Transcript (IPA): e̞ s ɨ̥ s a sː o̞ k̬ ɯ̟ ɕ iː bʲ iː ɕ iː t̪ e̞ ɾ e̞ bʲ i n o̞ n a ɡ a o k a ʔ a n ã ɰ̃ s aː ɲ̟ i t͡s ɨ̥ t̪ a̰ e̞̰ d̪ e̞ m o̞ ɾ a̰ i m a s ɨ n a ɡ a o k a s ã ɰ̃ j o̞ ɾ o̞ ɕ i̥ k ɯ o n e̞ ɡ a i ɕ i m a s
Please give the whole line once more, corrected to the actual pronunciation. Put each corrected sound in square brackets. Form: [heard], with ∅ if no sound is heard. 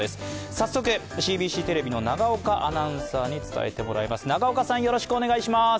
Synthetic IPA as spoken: e̞ s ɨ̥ s a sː o̞ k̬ ɯ̟ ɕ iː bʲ iː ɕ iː t̪ e̞ ɾ e̞ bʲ i n o̞ n a ɡ a o k a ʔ a n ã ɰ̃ s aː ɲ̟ i t͡s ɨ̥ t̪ a̰ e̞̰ [t̪] e̞ m o̞ ɾ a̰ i m a s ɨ n a ɡ a o k a s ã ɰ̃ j o̞ ɾ o̞ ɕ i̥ k ɯ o n e̞ ɡ a i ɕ i m a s